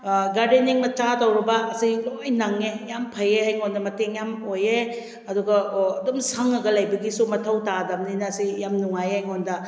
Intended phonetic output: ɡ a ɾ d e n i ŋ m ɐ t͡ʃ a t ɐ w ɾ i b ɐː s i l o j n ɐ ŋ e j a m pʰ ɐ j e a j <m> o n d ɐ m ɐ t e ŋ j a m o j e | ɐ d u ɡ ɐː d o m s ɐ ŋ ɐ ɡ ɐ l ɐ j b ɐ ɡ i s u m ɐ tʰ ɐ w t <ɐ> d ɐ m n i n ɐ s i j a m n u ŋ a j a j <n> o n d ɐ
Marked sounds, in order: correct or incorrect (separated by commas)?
incorrect, incorrect, incorrect